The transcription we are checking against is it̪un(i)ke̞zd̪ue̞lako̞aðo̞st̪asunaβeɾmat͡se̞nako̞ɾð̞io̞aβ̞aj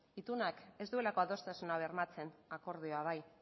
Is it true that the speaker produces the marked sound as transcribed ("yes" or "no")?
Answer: no